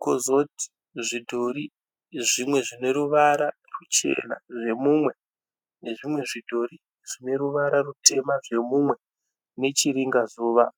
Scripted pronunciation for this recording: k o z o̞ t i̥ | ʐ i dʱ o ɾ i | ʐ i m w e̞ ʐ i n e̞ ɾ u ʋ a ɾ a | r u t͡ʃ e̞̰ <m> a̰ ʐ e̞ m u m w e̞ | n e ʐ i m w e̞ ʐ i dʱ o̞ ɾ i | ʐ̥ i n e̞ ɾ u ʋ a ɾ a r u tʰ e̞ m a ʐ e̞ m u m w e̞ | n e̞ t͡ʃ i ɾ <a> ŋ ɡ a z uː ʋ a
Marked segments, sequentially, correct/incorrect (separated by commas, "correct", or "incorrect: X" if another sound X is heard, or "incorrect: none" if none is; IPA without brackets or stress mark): incorrect: n, incorrect: i